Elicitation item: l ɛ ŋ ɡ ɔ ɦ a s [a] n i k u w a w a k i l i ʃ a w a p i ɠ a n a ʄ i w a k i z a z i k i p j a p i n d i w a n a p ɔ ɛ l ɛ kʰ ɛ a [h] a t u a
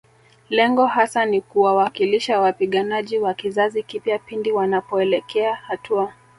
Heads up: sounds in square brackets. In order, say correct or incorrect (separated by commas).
correct, correct